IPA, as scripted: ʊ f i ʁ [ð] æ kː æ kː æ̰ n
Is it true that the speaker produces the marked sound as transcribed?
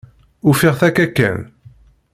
no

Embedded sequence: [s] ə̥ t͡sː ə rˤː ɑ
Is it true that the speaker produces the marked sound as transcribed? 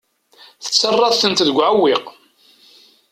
no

